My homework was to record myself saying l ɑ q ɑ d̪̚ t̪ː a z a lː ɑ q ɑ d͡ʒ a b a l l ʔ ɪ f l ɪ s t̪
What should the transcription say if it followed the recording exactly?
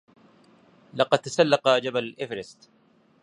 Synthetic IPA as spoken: l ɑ q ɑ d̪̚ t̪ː a s a lː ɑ q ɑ d͡ʒ a b a l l ʔ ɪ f ɾ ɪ s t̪